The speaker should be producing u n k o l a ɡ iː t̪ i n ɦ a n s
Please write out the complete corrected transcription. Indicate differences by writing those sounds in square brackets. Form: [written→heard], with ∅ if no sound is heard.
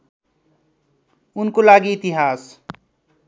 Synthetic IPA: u n k o l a ɡ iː t̪ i [n→∅] ɦ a [n→∅] s